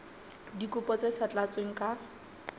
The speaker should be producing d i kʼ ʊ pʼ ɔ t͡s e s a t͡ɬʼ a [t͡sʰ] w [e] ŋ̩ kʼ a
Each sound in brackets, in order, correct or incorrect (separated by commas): incorrect, correct